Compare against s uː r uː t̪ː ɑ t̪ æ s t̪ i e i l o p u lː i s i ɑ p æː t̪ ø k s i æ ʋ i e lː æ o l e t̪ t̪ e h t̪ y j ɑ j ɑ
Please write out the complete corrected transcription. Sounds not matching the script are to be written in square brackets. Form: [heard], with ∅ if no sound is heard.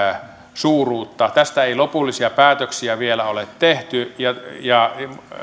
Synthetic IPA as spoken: s uː r uː t̪ː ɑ t̪ æ s t̪ [æ] e i l o p u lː i s i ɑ p æː t̪ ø k s i æ ʋ i e [l] æ o l e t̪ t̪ e h t̪ y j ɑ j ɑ